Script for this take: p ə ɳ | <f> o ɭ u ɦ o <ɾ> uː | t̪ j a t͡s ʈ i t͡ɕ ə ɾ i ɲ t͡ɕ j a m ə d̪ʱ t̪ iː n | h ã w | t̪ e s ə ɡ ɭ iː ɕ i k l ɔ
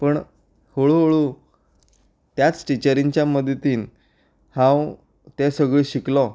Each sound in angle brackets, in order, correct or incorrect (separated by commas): incorrect, incorrect